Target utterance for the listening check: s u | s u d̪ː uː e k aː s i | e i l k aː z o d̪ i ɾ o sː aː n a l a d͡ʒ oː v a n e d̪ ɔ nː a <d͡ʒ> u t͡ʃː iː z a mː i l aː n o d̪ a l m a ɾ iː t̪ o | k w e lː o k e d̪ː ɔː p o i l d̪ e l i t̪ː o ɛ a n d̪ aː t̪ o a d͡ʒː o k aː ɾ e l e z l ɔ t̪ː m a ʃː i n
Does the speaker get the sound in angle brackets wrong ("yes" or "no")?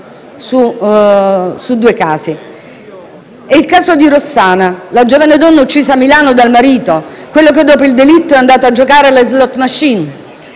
yes